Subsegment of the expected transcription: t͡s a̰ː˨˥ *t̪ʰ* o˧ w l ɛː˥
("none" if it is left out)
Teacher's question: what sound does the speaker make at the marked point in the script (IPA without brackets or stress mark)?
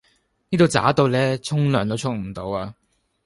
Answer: t̪